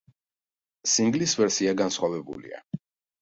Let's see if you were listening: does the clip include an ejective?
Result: no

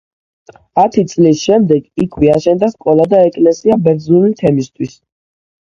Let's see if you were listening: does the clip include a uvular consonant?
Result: no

